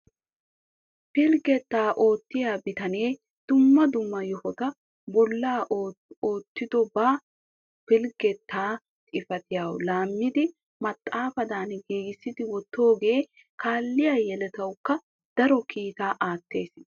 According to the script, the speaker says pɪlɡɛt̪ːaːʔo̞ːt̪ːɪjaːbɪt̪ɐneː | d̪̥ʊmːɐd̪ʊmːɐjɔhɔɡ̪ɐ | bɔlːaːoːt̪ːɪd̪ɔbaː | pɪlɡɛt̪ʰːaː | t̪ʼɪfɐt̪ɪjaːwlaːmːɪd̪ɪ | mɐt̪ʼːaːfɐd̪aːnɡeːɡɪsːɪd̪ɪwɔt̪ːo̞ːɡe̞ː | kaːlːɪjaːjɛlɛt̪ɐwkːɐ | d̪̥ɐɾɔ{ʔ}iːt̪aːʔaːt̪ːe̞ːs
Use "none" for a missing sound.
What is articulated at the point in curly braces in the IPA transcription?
k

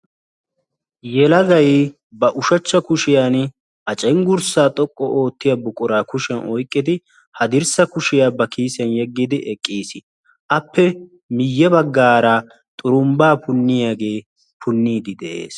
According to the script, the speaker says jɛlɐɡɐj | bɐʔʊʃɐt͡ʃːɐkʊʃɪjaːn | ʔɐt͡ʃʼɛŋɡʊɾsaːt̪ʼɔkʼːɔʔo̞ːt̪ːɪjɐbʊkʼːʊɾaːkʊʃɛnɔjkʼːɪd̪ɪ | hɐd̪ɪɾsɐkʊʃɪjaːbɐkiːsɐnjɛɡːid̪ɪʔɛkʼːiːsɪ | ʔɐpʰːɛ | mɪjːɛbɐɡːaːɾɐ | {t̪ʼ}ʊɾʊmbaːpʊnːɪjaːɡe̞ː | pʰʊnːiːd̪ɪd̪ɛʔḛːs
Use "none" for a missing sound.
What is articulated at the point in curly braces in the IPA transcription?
t̪ʼ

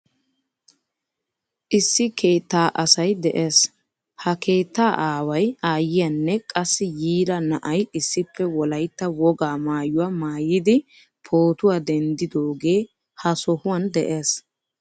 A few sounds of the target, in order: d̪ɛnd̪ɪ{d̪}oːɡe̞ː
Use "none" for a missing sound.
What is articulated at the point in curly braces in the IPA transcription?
d̪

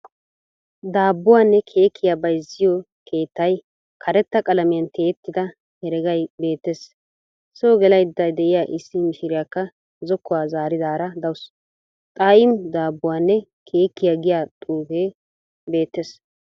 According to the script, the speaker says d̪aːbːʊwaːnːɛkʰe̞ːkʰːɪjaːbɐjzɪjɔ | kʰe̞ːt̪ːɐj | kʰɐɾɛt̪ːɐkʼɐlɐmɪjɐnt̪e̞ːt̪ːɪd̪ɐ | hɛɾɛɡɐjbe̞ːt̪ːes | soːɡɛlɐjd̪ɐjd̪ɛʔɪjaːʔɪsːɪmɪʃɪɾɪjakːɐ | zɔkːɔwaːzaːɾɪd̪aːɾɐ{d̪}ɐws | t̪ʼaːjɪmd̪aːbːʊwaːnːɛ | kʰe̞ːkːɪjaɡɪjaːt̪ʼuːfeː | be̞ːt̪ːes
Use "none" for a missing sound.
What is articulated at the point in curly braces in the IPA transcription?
d̪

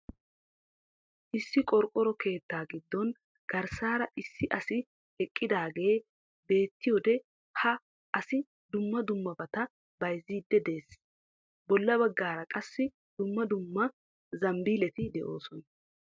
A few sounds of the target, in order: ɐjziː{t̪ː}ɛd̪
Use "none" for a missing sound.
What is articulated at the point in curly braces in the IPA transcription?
d̪ː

